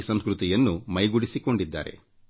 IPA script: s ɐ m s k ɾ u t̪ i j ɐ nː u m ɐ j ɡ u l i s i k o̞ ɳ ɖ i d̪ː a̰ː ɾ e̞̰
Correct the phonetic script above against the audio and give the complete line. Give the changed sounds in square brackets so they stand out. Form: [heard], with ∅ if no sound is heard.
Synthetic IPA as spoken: s ɐ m s k ɾ u t̪ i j ɐ nː u m ɐ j ɡ u [ɽ] i s i k o̞ ɳ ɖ i d̪ː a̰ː ɾ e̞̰